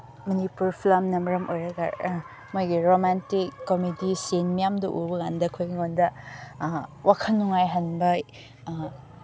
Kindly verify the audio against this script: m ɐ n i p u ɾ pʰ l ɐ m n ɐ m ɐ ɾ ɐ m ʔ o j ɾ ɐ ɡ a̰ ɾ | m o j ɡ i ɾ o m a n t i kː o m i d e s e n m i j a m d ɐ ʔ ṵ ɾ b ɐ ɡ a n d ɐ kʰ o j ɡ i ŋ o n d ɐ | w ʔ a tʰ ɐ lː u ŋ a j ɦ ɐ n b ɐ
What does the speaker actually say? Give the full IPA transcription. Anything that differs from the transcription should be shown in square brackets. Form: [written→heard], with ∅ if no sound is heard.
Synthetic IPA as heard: m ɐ n i p u ɾ pʰ l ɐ m n ɐ m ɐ ɾ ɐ m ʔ o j ɾ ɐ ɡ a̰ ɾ | m o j ɡ i ɾ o m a n t i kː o m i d [e→i] s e n m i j a m d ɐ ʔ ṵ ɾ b ɐ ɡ a n d ɐ kʰ o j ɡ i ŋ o n d ɐ | w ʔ a [tʰ→kʰ] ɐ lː u ŋ a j ɦ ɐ n b ɐ